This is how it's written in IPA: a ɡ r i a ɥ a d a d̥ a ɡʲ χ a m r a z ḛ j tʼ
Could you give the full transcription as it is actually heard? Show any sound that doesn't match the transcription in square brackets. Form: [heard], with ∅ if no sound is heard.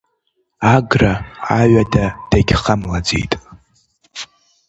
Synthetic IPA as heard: a ɡ r [a] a ɥ a d a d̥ a ɡʲ χ a m [l] a [d͡z] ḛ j tʼ